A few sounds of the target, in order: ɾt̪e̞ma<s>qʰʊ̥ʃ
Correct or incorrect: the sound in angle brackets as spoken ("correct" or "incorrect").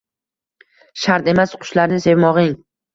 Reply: correct